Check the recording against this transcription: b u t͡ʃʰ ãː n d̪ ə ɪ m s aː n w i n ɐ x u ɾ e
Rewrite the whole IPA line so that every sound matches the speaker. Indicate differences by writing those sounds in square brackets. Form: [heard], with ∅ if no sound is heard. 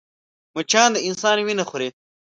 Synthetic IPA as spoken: [m] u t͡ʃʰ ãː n d̪ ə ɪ [n] s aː n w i n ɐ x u ɾ e

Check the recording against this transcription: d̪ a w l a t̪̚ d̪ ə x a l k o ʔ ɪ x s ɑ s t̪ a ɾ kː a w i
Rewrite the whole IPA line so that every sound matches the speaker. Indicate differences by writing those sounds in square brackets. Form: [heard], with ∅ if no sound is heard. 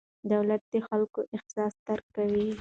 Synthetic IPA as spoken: d̪ a w l a t̪̚ d̪ ə x a l k o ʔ ɪ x s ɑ s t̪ a ɾ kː a w i

